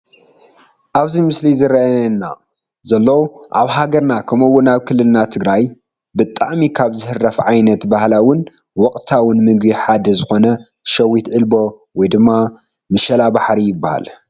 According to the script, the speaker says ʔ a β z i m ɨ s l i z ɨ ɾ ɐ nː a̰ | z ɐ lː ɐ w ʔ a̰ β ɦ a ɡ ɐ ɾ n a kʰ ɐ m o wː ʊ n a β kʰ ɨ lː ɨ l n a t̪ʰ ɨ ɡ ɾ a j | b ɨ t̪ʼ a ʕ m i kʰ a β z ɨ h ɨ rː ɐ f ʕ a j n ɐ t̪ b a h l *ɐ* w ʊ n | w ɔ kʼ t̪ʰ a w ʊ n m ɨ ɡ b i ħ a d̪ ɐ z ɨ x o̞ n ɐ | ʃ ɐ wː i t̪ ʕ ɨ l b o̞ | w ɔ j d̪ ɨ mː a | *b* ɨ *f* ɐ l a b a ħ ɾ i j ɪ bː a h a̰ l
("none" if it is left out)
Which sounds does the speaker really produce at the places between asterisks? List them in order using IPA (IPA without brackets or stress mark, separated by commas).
a, m, ʃ